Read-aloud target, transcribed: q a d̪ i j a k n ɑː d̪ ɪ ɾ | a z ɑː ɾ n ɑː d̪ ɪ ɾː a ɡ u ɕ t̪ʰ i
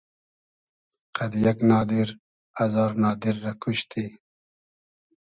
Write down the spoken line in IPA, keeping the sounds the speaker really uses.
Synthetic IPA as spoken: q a d̪ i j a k n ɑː d̪ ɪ ɾ | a z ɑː ɾ n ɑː d̪ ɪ ɾː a k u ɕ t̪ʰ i